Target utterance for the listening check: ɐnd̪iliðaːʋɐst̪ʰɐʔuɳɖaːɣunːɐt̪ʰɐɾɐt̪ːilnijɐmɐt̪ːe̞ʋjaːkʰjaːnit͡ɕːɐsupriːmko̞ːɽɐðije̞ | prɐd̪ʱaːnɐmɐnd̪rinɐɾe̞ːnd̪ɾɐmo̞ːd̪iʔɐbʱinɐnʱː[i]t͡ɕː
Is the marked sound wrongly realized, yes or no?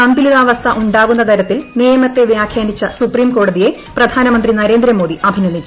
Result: no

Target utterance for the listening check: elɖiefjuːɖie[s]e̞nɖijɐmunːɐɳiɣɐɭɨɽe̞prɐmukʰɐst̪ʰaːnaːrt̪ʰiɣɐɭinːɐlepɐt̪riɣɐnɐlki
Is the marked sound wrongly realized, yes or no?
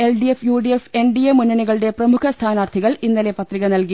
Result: yes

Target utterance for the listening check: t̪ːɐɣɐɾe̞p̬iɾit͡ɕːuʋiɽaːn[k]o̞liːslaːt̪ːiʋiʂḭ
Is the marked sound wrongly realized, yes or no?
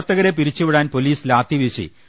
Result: yes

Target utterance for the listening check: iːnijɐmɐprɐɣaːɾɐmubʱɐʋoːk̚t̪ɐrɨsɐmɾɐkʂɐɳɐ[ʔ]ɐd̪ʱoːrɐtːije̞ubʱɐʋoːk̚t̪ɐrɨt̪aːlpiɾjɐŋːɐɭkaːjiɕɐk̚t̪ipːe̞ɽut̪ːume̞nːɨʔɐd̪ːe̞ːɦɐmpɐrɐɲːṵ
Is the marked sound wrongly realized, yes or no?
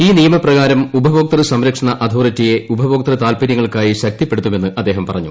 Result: no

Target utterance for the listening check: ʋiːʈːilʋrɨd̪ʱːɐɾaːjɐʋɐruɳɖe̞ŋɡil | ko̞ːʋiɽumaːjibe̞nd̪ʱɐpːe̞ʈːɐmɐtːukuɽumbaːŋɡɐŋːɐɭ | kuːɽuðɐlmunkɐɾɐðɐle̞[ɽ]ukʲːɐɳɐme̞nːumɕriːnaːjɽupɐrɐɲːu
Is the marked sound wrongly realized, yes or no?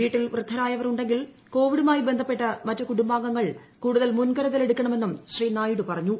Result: no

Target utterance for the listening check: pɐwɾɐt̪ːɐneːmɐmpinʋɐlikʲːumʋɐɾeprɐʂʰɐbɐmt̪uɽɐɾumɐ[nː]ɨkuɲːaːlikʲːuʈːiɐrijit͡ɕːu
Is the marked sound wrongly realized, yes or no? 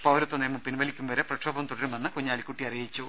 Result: no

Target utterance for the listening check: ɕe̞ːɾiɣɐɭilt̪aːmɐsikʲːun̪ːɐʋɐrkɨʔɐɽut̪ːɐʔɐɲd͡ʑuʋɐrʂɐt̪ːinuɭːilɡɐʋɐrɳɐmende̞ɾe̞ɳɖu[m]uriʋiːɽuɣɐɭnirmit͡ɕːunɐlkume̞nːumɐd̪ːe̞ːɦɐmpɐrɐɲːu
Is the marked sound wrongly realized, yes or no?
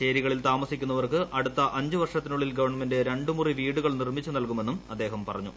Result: no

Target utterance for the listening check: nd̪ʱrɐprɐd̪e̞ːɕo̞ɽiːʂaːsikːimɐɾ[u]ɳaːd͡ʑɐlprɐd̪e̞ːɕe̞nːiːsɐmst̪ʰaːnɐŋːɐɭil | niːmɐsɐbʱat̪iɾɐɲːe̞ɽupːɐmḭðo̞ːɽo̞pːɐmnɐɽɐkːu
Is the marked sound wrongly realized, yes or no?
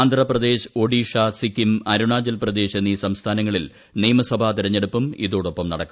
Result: no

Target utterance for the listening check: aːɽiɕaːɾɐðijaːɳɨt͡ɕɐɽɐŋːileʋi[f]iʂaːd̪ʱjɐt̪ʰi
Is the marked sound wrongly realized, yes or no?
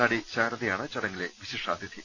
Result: yes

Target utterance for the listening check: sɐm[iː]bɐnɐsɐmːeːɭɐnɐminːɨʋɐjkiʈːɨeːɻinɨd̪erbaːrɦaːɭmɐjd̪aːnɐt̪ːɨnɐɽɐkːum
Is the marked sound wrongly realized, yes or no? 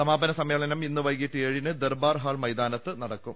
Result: yes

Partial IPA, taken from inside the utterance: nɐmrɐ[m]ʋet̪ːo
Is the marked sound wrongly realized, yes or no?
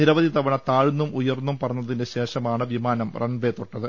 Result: yes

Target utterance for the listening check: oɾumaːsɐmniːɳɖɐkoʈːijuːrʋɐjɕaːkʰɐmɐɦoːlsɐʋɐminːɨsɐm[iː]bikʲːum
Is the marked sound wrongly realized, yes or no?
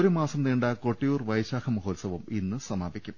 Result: yes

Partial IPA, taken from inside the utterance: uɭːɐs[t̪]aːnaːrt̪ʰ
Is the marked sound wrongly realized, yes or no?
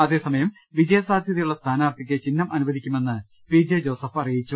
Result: yes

